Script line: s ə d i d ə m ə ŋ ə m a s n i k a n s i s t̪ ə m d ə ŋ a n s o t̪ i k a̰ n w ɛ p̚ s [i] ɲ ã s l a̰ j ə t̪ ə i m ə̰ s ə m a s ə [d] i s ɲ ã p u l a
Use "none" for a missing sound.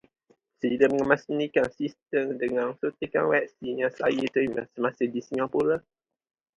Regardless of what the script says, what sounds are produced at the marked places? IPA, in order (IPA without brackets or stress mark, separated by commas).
i, d